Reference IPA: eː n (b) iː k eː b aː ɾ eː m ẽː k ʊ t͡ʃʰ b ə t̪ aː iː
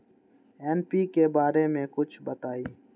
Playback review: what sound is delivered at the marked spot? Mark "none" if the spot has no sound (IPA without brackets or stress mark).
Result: p